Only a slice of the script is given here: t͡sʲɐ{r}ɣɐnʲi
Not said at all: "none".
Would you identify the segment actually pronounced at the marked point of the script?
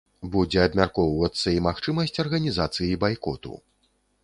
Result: r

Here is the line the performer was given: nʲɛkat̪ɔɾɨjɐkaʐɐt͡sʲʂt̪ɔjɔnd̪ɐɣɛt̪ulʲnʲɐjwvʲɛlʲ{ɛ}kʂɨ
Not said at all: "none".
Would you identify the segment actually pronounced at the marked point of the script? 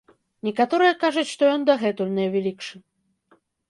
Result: i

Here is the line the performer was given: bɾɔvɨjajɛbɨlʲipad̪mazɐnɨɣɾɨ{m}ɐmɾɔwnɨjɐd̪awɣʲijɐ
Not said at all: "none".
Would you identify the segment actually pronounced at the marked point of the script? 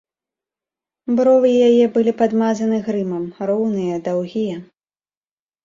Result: m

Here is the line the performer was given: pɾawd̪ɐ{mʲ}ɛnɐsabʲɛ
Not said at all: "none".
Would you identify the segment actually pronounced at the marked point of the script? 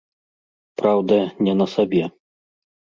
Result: nʲ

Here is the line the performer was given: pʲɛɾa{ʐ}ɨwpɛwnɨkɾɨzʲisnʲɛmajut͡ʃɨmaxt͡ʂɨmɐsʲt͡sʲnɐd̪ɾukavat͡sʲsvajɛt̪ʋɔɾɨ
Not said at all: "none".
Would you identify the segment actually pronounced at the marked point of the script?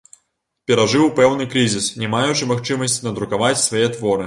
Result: ʐ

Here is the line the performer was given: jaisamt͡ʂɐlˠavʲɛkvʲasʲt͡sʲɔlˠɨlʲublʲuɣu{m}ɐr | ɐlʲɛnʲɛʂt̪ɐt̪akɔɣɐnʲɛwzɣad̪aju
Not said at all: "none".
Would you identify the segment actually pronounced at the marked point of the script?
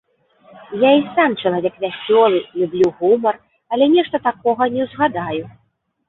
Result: m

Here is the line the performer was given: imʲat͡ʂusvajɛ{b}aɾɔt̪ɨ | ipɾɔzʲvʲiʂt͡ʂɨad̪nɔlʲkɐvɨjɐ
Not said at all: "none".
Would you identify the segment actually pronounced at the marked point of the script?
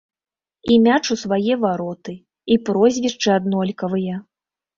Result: v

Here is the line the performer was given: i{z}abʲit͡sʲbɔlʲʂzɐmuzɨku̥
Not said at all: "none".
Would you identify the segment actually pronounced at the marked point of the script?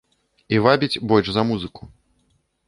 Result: v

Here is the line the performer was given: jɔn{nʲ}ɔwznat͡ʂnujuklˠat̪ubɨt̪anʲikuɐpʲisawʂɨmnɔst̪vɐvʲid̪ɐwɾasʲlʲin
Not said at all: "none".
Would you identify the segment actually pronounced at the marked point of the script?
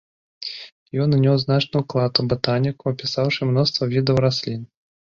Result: nʲ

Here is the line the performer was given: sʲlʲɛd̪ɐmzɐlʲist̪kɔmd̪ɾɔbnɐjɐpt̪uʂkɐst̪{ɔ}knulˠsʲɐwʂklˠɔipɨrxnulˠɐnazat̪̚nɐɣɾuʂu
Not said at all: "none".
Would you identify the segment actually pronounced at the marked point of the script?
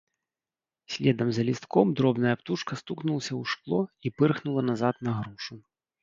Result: u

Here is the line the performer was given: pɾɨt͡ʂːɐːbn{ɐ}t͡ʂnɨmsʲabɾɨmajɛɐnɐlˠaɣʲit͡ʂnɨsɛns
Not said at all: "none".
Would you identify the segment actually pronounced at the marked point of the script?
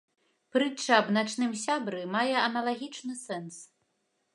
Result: a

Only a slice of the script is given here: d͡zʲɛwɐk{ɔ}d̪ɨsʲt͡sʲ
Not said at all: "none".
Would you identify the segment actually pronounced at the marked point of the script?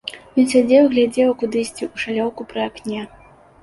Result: u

